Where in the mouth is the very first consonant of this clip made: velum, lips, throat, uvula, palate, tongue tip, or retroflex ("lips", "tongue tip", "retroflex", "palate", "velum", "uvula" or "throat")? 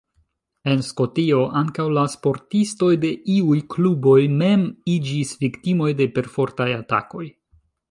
tongue tip